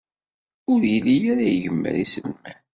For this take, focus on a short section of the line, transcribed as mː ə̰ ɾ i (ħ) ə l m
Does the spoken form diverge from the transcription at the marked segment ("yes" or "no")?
yes